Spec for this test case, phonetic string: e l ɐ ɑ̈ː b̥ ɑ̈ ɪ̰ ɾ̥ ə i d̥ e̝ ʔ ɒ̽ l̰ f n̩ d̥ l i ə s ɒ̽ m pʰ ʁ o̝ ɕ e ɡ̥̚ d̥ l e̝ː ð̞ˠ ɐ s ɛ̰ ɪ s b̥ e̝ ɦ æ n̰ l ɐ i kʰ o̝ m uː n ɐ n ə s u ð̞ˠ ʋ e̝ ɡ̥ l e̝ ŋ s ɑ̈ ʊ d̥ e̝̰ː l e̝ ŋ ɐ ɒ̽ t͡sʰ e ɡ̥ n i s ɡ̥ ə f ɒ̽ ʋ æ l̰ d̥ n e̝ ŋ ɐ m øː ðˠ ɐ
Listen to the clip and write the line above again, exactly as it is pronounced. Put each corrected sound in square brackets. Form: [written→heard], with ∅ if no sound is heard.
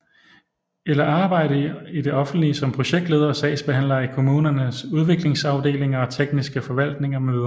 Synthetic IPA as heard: e l ɐ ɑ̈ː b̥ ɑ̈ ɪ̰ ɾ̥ ə i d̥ e̝ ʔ ɒ̽ [l̰→∅] f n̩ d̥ l i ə s ɒ̽ m pʰ ʁ o̝ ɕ e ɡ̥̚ d̥ l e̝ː ð̞ˠ ɐ s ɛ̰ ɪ s b̥ e̝ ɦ æ n̰ l ɐ i kʰ o̝ m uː n ɐ n ə s u ð̞ˠ ʋ e̝ ɡ̥ l e̝ ŋ s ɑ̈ ʊ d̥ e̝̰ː l e̝ ŋ ɐ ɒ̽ t͡sʰ e ɡ̥ n i s ɡ̥ ə f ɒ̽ ʋ æ l̰ d̥ n e̝ ŋ ɐ m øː ðˠ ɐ